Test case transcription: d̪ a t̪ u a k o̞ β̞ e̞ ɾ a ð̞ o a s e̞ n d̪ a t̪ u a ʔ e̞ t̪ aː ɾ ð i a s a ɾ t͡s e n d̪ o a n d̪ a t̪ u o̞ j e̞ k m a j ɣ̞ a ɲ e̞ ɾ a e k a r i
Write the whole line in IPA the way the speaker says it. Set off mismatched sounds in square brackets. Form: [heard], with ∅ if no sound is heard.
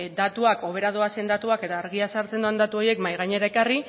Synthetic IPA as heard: d̪ a t̪ u a k o̞ β̞ e̞ ɾ a ð̞ o a s e̞ n d̪ a t̪ u a [k] e̞ t̪ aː ɾ [ɣ] i a s a ɾ t͡s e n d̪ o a n d̪ a t̪ u o̞ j e̞ k m a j ɣ̞ a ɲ e̞ ɾ a e k a r i